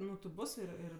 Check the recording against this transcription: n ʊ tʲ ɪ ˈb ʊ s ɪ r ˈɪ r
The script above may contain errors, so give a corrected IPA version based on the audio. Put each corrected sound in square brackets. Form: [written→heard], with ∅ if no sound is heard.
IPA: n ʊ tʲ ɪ ˈb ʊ s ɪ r ˈɪ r